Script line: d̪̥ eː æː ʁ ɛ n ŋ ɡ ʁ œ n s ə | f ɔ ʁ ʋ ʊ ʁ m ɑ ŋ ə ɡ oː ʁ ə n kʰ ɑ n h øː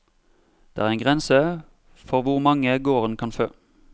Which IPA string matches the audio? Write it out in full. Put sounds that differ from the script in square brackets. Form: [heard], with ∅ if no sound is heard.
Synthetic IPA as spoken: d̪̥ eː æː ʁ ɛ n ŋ ɡ ʁ [ɛ] n s ə | f ɔ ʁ ʋ ʊ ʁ m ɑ ŋ ə ɡ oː ʁ ə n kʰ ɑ n [f] øː